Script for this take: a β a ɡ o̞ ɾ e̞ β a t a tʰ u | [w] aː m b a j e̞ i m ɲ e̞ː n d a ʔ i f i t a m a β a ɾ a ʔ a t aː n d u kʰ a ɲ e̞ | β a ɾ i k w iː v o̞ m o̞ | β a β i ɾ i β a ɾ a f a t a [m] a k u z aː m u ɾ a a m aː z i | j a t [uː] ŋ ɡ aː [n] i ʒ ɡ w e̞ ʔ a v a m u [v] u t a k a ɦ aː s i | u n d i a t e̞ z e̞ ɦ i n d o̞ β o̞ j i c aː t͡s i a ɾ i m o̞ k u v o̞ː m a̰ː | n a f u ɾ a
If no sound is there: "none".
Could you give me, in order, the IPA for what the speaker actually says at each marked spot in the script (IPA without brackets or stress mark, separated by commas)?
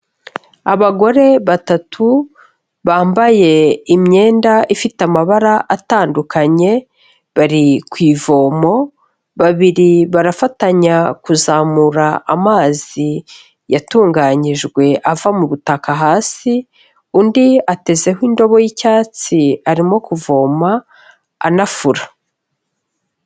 β, ɲ, uː, ɲ, β